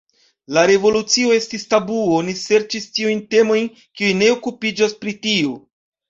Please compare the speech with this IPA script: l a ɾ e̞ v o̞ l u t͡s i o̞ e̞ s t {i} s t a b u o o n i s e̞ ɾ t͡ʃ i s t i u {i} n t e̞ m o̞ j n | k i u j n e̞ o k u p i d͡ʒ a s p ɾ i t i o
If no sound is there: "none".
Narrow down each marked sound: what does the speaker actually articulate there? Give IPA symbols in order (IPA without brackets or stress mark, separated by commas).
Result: i, j